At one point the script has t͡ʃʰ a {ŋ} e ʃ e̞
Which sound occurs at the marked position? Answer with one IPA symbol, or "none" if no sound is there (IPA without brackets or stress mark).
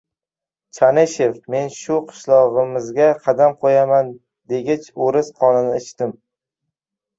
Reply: n